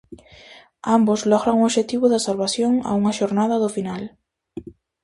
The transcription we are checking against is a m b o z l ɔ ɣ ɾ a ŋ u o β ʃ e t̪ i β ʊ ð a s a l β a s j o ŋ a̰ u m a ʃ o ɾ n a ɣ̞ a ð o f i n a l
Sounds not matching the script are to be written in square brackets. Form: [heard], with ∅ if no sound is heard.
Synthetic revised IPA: a m b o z l ɔ ɣ ɾ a ŋ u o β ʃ e t̪ i β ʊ ð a s a l β a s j o ŋ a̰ u [ŋ] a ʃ o ɾ n a [ð̞] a ð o f i n a l